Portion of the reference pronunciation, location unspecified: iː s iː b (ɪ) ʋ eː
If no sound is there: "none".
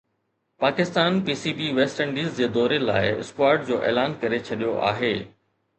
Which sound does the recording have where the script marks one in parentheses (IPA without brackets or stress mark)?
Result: i